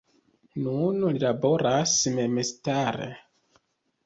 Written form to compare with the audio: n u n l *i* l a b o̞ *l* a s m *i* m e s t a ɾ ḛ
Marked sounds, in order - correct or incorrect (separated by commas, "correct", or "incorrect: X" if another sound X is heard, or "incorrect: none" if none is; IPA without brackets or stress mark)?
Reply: correct, incorrect: ɾ, incorrect: e